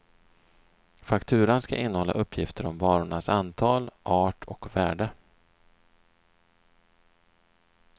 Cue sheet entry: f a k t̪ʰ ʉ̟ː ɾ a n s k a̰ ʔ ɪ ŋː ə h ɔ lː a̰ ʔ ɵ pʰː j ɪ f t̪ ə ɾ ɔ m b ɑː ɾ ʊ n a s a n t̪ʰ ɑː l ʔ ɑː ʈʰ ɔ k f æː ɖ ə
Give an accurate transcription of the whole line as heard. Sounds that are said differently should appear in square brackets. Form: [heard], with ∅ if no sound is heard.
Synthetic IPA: f a k t̪ʰ ʉ̟ː ɾ a n s k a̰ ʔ ɪ [nː] ə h ɔ lː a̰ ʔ ɵ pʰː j ɪ f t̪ ə ɾ ɔ m [v] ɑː ɾ ʊ [ɳ] a s a n t̪ʰ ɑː l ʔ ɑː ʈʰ ɔ k [v] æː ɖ ə